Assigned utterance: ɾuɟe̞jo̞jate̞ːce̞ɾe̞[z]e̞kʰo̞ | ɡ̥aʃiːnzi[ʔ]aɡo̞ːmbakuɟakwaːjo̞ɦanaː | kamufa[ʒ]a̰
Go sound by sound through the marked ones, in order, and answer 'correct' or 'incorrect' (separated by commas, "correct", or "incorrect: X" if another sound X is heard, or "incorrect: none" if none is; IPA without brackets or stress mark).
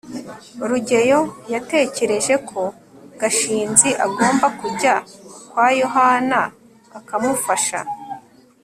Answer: incorrect: ʒ, correct, incorrect: ʃ